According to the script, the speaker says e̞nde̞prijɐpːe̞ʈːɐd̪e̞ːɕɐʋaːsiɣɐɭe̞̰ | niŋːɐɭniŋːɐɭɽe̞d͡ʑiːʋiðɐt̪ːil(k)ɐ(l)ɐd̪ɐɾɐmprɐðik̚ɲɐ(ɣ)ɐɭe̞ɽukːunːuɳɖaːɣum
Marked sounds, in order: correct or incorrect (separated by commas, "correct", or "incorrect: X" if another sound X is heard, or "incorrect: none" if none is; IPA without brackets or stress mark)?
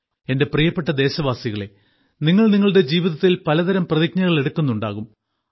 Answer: incorrect: p, correct, correct